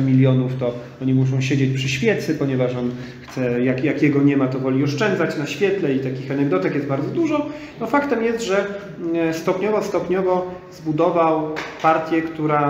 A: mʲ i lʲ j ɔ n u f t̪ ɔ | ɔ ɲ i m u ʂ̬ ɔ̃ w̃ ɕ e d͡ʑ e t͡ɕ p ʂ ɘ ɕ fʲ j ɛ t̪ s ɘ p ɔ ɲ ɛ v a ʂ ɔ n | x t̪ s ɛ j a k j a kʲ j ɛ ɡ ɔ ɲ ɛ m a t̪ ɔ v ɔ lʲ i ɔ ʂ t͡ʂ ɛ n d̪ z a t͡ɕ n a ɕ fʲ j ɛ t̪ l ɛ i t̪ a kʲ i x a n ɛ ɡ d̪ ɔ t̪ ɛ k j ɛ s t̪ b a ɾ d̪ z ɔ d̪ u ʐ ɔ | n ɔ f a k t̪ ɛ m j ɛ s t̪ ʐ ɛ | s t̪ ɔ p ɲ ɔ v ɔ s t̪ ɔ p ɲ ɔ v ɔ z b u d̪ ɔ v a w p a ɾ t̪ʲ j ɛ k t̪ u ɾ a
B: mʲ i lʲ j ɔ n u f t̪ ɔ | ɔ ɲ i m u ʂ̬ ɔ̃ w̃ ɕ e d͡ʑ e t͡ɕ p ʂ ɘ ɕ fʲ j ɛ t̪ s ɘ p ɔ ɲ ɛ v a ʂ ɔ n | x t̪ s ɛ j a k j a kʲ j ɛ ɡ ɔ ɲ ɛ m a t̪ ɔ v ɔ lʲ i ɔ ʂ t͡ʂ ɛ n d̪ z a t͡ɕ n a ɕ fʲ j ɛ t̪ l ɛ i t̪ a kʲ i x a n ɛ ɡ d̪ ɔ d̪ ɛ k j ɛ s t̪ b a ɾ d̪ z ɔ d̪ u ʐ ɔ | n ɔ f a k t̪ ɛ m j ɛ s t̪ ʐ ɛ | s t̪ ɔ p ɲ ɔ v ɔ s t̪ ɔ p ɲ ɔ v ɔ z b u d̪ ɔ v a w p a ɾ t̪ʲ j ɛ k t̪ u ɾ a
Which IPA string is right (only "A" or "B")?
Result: A